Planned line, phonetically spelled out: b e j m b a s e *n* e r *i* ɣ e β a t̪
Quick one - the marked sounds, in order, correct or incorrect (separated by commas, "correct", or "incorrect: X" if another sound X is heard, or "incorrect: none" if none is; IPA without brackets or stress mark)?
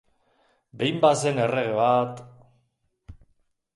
correct, incorrect: e